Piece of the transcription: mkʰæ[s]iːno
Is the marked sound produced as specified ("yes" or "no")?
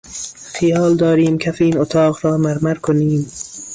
no